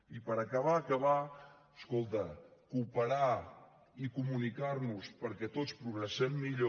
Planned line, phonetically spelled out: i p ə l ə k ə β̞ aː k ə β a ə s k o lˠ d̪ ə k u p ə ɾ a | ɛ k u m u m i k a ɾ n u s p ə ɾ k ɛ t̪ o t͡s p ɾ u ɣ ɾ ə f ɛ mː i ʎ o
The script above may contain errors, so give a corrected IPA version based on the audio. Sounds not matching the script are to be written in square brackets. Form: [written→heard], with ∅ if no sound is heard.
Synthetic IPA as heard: i p ə [l→ɾ] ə k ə β̞ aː k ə β a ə s k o lˠ [d̪→t̪] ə k u p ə ɾ a | [ɛ→i] k u m u [m→n] i k a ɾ n u s p ə ɾ k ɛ t̪ o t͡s p ɾ u ɣ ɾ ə [f→s] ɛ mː i ʎ o

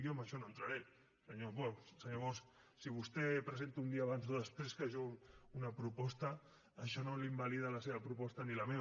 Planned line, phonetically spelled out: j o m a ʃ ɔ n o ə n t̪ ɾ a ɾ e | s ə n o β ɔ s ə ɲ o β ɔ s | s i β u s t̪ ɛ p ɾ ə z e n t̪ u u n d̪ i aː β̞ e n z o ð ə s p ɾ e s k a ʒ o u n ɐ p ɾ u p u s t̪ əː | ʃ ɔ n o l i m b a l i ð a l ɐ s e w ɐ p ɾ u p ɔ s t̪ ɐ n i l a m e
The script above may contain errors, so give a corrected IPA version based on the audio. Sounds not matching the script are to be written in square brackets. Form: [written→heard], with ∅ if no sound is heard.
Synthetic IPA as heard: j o m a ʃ ɔ n o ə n t̪ ɾ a ɾ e | s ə [n→ɲ] o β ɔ s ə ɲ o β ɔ s | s i β u s t̪ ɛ p ɾ ə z e n t̪ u u n d̪ i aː β̞ [e→a] n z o ð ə s p ɾ e s k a ʒ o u n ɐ p ɾ u p [u→ɔ] s t̪ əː | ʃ ɔ n o l i m b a l i ð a l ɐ s e [w→β] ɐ p ɾ u p ɔ s t̪ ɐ n i l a m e

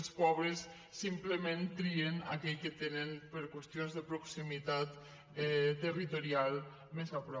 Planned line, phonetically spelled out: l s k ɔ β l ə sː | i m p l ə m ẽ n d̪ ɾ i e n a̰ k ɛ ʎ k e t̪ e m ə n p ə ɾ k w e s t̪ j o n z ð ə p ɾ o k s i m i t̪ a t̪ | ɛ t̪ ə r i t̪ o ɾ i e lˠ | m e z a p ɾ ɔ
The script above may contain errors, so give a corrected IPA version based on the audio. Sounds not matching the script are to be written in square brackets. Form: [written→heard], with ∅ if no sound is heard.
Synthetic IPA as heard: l s [k→p] ɔ β [l→ɾ] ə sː | i m p l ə m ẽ n [d̪→t̪] ɾ i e n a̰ k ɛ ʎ k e t̪ e [m→n] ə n p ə ɾ k w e s t̪ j o n z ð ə p ɾ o k s i m i t̪ a t̪ | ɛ t̪ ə r i t̪ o ɾ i [e→a] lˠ | m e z a p ɾ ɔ

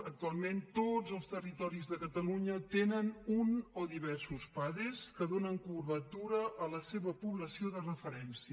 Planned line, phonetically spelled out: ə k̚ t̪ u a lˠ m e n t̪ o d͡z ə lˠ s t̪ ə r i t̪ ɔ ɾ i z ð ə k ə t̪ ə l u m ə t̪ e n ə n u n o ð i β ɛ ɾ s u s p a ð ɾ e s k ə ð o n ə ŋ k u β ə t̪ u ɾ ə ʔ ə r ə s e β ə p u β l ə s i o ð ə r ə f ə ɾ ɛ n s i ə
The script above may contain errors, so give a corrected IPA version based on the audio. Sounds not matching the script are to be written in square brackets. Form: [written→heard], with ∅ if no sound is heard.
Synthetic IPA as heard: ə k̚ t̪ u a lˠ m e n t̪ o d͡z ə lˠ s t̪ ə r i t̪ ɔ ɾ i z ð ə k ə t̪ ə l u [m→ɲ] ə t̪ e n ə n u n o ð i β ɛ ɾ s u s p a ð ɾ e s k ə ð o n ə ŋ k u β ə t̪ u ɾ ə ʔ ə [r→l] ə s e β ə p u β l ə s i o ð ə r ə f ə ɾ ɛ n s i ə

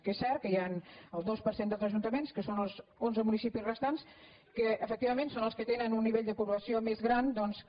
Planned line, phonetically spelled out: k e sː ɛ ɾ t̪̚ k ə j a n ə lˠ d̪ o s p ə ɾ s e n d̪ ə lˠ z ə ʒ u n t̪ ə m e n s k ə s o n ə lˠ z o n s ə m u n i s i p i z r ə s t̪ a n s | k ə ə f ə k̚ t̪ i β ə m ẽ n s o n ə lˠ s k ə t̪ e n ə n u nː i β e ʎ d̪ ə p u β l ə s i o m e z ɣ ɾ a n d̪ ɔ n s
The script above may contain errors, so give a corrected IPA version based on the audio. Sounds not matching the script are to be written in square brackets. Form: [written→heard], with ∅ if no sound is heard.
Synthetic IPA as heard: k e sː ɛ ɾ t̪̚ k ə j a n ə lˠ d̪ o s p ə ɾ s e n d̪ ə lˠ z ə ʒ u n t̪ ə m e n s k ə s o n ə lˠ z o n [s→z] ə m u n i s i p i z r ə s t̪ a n s | k ə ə f ə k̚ t̪ i β ə m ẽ n s o n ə lˠ s k ə t̪ e n ə n u nː i β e ʎ d̪ ə p u β l ə s i o m e z ɣ ɾ a n d̪ ɔ n s

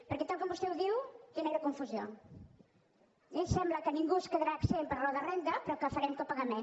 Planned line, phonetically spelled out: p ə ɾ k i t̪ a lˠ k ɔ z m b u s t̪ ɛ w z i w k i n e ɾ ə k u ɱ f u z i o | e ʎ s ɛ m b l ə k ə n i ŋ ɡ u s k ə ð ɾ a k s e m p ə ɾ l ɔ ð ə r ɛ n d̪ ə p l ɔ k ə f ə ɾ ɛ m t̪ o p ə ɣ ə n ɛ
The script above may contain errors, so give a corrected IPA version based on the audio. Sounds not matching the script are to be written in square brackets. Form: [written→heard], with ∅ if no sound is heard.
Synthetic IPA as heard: p ə ɾ k [i→ɛ] t̪ a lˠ k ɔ [z→∅] m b u s t̪ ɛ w [z→ð] i w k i n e ɾ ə k u ɱ f u z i o | e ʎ s ɛ m b l ə k ə n i ŋ ɡ u s k ə ð ɾ a k s e m p ə ɾ l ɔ ð ə r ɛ n d̪ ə p [l→ɾ] ɔ k ə f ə ɾ ɛ m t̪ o p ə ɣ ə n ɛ

